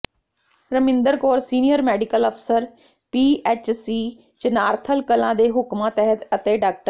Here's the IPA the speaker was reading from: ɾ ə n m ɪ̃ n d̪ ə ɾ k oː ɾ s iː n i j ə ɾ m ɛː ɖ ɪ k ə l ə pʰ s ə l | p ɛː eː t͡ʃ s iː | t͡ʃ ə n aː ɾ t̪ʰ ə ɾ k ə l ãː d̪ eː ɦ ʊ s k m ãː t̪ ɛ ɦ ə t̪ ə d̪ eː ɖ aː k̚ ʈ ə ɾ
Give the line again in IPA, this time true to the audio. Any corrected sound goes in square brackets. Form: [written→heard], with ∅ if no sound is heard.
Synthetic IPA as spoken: ɾ ə [n→∅] m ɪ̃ n d̪ ə ɾ k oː ɾ s iː n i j ə ɾ m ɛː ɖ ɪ k ə l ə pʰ s ə [l→ɾ] | p [ɛː→iː] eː t͡ʃ s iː | t͡ʃ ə n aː ɾ t̪ʰ ə [ɾ→l] k ə l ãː d̪ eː ɦ ʊ [s→∅] k m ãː t̪ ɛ ɦ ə t̪ ə [d̪→t̪] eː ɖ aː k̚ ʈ ə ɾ